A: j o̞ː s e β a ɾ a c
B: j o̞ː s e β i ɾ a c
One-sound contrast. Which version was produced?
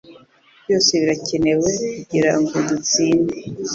B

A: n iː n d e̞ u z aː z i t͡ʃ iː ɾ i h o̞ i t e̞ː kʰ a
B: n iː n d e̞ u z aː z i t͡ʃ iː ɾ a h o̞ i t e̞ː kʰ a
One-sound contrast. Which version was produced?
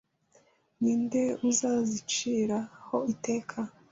B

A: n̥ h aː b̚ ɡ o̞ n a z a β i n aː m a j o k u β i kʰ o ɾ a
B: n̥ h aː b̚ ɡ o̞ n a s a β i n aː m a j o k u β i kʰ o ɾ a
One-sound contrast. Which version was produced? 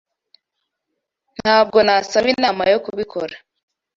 B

